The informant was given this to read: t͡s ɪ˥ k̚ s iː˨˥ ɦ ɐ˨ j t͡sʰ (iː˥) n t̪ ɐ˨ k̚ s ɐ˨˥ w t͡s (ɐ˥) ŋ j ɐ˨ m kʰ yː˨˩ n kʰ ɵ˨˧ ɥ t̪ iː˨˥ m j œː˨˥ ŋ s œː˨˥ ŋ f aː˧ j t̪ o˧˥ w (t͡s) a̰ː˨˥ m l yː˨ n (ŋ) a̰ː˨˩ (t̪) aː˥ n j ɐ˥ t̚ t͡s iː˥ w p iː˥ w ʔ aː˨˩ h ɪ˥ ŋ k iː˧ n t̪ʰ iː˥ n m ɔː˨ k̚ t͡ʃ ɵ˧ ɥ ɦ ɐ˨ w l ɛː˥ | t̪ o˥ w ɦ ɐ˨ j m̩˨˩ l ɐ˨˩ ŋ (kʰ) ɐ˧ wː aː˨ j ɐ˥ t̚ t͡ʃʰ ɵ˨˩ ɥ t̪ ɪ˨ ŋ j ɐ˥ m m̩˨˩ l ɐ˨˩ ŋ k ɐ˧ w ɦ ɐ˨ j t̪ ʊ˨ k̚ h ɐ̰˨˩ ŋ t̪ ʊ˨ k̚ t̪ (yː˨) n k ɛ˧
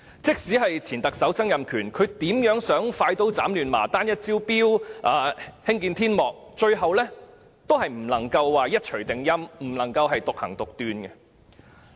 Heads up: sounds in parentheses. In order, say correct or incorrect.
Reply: incorrect: iː˨˩, correct, correct, incorrect: m, correct, incorrect: k, correct

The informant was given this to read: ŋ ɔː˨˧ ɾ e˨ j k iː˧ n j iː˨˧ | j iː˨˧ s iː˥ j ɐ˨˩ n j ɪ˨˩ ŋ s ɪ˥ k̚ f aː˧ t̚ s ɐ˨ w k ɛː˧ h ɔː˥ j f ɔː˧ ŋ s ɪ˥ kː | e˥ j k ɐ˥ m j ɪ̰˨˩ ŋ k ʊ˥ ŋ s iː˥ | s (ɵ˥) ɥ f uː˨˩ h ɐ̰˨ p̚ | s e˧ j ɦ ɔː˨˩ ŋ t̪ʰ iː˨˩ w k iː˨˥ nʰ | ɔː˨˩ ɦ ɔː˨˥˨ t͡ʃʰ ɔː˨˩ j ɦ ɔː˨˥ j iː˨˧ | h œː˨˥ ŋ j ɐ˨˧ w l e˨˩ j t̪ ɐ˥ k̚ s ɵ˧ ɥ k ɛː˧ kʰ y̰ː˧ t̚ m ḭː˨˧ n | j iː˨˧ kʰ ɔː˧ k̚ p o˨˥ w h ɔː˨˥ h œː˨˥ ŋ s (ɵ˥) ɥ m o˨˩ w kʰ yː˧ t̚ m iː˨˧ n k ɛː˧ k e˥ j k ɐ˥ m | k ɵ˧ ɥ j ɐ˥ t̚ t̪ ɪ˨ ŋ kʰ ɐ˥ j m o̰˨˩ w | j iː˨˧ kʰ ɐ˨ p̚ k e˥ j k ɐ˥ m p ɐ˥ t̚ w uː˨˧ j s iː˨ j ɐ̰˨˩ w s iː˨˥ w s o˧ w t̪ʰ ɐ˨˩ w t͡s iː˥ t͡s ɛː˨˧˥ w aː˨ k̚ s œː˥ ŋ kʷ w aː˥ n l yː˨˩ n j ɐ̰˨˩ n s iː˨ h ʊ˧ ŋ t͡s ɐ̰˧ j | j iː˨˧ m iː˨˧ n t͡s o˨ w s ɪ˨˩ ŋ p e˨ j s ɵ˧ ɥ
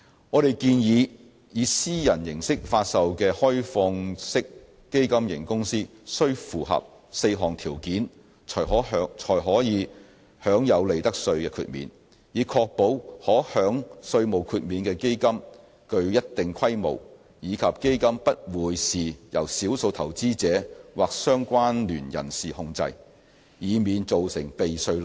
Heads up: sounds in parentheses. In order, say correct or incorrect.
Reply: correct, incorrect: ɵ˧

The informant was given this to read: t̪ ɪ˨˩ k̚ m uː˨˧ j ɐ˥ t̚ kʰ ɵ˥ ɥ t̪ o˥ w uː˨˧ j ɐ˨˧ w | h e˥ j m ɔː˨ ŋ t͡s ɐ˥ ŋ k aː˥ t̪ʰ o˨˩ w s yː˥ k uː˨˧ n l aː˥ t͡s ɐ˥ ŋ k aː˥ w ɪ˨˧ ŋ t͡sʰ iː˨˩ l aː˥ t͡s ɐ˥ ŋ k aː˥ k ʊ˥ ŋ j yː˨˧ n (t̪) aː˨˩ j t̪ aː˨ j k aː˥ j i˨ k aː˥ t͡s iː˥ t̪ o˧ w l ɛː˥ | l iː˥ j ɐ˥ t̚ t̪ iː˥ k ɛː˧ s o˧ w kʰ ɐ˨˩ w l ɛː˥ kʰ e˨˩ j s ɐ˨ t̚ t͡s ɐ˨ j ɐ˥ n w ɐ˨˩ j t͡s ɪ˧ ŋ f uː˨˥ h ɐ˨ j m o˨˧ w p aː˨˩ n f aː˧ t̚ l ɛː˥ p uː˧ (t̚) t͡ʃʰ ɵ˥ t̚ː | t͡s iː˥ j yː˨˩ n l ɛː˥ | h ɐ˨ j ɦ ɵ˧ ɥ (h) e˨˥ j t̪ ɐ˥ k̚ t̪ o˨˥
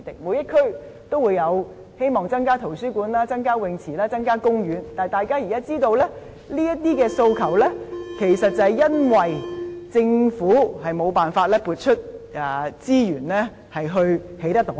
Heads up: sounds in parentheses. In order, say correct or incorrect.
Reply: correct, correct, correct

